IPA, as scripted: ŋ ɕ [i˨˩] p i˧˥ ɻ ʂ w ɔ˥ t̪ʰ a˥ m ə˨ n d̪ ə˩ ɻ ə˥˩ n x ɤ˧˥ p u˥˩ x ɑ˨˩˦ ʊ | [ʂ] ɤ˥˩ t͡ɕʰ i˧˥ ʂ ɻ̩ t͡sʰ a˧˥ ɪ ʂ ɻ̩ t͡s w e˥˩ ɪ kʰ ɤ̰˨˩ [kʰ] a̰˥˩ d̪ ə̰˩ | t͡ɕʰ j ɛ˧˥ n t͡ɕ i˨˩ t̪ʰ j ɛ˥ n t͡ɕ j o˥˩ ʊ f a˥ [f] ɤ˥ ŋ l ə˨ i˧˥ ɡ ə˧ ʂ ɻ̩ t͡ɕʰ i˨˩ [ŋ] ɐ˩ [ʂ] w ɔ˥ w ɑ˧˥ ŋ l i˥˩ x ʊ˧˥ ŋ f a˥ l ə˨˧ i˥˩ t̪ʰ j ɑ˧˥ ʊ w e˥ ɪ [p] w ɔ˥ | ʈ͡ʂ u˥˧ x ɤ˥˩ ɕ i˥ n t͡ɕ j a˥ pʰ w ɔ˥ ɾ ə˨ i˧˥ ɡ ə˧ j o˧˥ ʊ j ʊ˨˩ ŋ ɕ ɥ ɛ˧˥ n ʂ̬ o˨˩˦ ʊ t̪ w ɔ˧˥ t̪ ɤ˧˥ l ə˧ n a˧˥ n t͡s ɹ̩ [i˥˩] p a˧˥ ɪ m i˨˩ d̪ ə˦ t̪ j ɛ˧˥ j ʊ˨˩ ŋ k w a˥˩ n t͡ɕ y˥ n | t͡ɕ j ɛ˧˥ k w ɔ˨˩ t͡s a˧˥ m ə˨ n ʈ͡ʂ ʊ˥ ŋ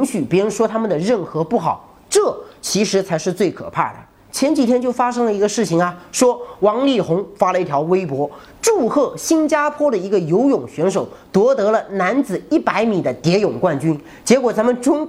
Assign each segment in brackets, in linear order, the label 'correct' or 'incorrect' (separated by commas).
incorrect, incorrect, incorrect, incorrect, correct, correct, correct, correct